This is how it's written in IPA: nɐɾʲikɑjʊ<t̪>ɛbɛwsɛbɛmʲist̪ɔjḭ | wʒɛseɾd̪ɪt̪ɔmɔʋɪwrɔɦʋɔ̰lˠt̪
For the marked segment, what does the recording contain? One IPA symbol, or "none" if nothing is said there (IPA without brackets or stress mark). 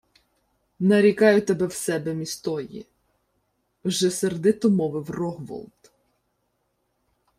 t̪